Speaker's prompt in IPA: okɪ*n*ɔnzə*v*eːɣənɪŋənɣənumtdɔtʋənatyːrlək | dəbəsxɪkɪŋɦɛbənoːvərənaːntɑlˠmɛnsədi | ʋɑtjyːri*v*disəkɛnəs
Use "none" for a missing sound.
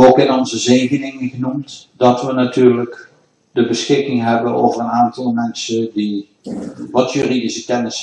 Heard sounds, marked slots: n, z, none

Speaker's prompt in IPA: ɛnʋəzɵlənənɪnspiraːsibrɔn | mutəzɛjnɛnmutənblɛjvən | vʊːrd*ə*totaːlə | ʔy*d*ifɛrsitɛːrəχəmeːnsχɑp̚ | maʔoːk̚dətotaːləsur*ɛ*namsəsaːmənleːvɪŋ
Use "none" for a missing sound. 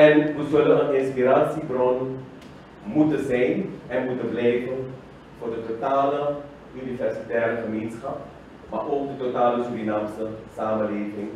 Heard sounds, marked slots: ə, n, i

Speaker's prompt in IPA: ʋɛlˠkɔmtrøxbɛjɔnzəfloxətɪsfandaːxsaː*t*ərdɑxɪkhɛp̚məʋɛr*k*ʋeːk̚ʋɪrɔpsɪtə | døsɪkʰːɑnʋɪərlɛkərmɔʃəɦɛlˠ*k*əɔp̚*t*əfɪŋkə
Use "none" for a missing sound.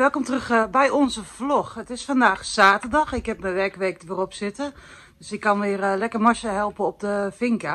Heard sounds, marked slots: t, k, p, d

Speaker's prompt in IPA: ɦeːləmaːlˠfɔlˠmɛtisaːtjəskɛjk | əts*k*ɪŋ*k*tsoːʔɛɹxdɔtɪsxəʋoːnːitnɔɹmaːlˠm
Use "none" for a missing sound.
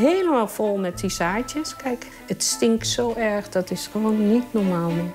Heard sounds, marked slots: t, k

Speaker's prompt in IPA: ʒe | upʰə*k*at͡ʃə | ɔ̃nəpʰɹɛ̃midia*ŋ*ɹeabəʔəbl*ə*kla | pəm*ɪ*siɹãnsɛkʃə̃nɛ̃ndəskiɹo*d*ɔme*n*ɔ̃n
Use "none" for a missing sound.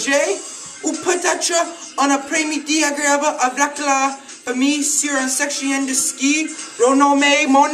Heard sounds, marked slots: t, ɡ, a, i, n, m

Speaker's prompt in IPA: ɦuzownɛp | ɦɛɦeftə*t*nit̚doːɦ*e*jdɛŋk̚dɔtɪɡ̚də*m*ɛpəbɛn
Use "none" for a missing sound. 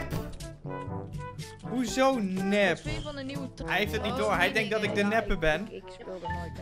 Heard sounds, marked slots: t, ɛ, n

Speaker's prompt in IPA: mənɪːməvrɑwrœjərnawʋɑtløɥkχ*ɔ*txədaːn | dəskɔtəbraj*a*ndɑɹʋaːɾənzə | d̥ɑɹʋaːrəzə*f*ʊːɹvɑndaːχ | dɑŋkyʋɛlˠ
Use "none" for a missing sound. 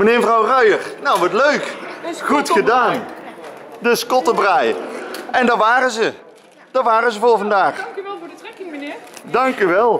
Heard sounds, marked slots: u, ɛ, v

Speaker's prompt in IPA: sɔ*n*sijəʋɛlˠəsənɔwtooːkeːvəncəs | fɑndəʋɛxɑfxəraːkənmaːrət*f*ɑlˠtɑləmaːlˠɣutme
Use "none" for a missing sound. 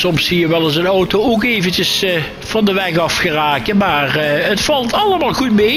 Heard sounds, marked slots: m, f

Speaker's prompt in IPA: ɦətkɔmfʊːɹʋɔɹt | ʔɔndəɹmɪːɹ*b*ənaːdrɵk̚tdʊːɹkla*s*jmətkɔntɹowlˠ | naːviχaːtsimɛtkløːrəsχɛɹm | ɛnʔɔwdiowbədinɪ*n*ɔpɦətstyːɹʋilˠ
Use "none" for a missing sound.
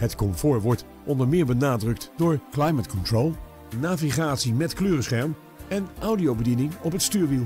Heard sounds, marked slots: b, none, ŋ

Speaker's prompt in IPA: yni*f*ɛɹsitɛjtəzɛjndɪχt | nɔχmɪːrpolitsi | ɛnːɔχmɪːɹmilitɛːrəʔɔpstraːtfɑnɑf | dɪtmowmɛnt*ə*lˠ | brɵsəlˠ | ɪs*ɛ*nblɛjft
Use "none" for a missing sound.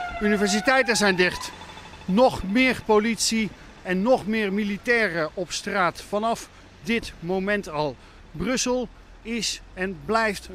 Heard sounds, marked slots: v, ɑ, ɛ

